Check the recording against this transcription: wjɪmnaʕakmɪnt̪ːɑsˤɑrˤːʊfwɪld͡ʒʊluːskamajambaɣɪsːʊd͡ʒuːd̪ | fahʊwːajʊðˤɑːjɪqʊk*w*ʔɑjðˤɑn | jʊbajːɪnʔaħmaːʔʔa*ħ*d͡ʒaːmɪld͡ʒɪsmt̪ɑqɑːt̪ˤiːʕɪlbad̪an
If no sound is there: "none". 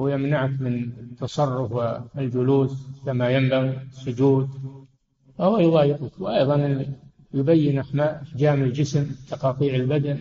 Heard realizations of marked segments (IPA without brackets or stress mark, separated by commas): w, ħ